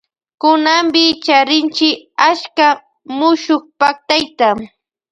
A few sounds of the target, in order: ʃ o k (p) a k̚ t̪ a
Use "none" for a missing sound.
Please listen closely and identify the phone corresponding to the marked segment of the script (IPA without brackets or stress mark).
p